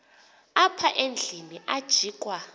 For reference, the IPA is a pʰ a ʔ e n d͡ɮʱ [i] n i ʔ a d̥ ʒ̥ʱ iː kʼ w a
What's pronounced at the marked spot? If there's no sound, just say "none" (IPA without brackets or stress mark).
i